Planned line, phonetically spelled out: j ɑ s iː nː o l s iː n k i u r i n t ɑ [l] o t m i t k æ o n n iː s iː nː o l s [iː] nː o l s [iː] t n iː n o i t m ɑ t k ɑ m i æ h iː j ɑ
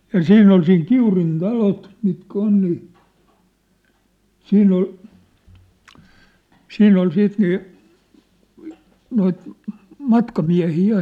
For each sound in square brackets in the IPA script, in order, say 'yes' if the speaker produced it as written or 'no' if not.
yes, yes, yes

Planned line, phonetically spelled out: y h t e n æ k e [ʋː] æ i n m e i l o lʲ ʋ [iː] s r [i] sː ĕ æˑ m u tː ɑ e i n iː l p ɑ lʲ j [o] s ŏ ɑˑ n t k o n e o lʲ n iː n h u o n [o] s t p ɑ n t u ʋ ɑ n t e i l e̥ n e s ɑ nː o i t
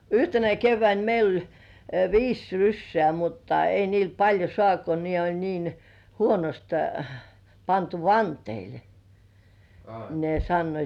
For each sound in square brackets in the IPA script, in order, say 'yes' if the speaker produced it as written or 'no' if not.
yes, yes, no, yes, yes

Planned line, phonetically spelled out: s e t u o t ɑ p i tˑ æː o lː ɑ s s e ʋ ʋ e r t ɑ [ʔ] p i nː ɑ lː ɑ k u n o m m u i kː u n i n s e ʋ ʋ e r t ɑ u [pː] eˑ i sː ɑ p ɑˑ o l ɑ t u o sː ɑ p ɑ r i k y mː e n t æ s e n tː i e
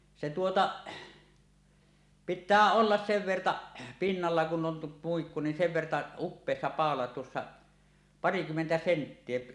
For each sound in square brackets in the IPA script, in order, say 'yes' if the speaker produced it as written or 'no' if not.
yes, yes

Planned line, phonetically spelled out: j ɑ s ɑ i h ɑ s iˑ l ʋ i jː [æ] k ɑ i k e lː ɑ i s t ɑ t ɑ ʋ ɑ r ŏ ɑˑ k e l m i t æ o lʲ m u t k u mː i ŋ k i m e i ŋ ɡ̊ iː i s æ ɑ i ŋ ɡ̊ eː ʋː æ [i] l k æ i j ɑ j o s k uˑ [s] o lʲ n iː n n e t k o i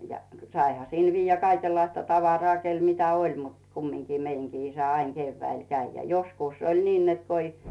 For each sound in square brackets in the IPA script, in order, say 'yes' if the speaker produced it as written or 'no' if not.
yes, yes, yes

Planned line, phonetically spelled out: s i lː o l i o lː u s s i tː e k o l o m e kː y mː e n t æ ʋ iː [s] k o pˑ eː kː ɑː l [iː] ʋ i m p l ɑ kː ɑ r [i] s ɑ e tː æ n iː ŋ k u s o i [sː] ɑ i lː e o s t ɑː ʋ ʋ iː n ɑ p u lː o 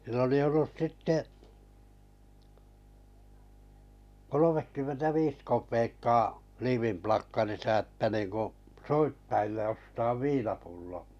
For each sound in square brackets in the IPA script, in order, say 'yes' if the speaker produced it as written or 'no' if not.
yes, yes, yes, no

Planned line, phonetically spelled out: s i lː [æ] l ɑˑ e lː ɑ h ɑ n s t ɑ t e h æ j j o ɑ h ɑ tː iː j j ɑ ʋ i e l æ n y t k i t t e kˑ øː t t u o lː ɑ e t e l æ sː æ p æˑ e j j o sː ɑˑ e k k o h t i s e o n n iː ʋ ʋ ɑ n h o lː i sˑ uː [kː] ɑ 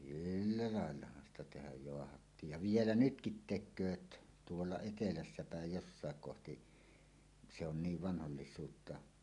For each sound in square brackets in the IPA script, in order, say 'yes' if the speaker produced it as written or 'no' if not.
yes, no

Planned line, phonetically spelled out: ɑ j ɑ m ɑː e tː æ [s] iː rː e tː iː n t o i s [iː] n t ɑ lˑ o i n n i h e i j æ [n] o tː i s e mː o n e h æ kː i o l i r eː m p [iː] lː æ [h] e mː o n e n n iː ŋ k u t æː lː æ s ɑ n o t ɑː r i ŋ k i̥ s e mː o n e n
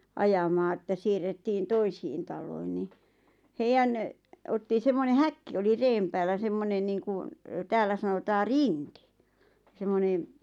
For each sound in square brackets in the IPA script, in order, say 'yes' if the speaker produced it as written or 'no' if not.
yes, yes, yes, no, no

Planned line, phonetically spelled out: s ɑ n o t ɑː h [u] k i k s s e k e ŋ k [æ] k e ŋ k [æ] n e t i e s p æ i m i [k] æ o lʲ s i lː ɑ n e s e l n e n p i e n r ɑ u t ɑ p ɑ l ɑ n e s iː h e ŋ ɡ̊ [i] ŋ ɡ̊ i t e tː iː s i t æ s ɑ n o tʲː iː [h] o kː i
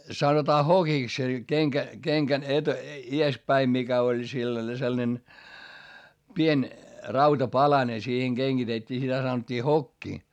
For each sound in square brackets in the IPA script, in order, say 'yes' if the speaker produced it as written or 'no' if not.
no, yes, yes, yes, no, yes

